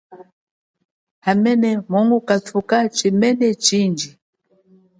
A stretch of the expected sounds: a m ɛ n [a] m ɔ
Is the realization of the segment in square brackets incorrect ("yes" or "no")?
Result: yes